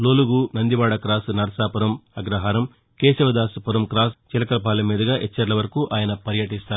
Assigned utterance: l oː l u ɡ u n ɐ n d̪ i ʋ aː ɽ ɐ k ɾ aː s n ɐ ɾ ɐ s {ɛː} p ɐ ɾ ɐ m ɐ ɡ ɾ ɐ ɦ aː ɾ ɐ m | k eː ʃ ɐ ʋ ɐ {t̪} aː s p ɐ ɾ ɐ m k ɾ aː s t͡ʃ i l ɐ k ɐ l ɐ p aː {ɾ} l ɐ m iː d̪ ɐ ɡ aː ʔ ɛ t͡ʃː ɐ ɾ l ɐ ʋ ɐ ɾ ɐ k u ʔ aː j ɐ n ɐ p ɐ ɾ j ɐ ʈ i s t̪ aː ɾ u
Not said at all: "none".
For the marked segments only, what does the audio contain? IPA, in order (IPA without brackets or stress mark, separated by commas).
aː, d̪, none